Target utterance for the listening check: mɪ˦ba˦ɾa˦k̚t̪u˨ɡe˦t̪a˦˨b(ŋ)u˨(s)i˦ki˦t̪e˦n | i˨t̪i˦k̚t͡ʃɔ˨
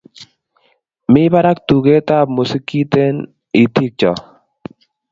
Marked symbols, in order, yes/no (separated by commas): no, yes